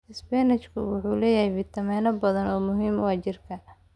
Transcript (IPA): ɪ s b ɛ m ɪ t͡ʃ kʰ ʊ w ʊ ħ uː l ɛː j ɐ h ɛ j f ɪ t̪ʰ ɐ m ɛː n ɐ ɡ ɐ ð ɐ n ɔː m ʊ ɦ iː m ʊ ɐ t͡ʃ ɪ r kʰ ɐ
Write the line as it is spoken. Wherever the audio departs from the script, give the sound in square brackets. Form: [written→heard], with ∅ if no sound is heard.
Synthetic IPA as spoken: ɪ s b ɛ [m→n] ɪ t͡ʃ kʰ ʊ w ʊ ħ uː l ɛː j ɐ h ɛ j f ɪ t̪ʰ ɐ m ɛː n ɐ [ɡ→b] ɐ ð ɐ n ɔː m ʊ ɦ iː m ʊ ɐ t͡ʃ ɪ r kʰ ɐ